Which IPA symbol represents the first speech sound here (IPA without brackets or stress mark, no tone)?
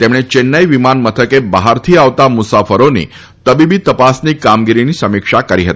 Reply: t̪